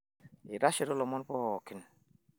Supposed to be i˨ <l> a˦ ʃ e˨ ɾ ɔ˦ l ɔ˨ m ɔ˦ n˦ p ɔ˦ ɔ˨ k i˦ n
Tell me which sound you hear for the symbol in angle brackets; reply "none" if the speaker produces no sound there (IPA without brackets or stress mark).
ɾ